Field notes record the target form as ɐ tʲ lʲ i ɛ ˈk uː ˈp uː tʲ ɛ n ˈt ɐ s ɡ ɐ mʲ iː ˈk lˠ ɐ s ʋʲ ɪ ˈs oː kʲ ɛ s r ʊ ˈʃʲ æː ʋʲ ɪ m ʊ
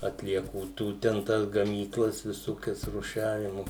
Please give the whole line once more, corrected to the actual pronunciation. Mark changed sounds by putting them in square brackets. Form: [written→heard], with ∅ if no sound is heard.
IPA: ɐ tʲ lʲ i ɛ ˈk uː [ˈp→ˈt] uː tʲ ɛ n ˈt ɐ s ɡ ɐ mʲ iː ˈk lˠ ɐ s ʋʲ ɪ ˈs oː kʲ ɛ s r ʊ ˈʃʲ æː ʋʲ ɪ m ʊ